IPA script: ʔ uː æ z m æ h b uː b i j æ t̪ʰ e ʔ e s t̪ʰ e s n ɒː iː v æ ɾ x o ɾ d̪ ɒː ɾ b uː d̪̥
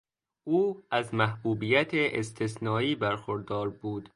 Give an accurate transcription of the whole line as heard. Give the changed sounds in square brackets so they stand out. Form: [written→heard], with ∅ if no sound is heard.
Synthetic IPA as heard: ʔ uː æ z m æ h b uː b i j æ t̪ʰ e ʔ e s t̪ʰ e s n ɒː iː [v→b] æ ɾ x o ɾ d̪ ɒː ɾ b uː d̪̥